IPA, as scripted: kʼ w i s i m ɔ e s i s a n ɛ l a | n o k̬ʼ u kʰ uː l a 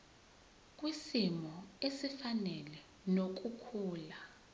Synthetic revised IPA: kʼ w i s i m ɔ e s i f a n ɛ l ɛ | n o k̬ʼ u kʰ uː l a